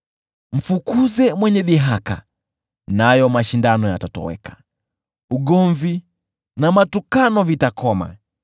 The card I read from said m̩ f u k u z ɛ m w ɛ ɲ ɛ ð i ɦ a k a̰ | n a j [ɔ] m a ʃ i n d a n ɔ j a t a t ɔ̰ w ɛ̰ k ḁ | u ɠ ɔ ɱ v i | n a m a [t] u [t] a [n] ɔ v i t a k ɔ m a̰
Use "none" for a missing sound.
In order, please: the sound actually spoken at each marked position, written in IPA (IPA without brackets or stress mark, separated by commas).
ɔ, t, k, n